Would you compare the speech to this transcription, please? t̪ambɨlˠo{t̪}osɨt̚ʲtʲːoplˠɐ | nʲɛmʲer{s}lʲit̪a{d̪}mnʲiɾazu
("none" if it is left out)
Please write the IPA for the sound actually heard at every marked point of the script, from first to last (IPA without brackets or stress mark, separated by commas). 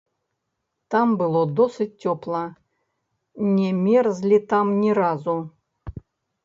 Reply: d̪, z, none